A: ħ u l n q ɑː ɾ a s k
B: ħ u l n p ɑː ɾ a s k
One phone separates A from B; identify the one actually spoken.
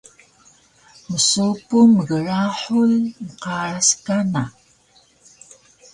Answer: A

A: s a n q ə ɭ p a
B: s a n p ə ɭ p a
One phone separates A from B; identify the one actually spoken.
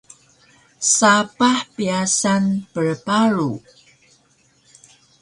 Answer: B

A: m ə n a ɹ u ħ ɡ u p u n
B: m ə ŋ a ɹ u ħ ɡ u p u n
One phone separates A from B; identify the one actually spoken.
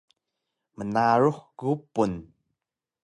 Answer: A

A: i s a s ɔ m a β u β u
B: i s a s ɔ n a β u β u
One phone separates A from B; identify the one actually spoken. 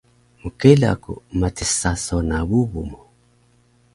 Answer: B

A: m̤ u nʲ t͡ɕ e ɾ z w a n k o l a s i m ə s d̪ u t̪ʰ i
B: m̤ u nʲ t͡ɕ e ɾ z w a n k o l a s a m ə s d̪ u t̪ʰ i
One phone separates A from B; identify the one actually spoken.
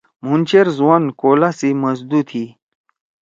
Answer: A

